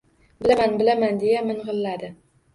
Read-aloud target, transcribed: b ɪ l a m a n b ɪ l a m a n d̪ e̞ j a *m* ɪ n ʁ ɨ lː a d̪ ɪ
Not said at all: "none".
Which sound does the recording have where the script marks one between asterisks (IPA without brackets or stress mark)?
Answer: m